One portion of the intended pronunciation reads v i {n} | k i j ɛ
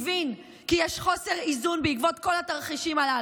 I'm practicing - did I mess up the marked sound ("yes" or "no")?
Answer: no